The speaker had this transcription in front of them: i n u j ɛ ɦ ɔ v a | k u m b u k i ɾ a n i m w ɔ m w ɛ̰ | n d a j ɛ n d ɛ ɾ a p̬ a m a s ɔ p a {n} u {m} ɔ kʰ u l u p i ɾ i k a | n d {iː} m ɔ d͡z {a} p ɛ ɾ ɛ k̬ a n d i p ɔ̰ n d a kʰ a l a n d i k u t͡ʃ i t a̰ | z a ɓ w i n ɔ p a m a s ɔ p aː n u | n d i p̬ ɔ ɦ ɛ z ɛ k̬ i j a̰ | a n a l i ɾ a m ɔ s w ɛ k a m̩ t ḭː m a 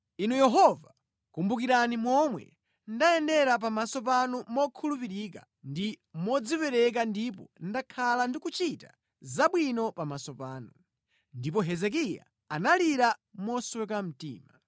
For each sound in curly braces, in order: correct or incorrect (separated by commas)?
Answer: correct, correct, incorrect, incorrect